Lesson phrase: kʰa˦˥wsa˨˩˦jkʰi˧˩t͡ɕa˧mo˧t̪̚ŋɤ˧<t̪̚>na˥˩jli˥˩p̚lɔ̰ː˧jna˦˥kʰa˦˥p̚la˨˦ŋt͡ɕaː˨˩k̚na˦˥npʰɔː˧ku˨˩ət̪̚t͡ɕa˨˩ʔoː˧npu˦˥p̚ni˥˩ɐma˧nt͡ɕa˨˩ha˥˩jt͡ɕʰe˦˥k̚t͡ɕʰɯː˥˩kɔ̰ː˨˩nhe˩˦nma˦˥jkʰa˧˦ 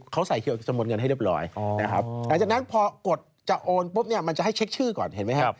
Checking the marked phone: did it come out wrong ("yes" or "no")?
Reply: yes